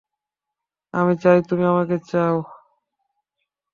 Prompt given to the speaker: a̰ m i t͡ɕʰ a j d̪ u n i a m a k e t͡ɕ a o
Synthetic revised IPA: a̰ m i t͡ɕ a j t̪ u m i a m a k e t͡ɕ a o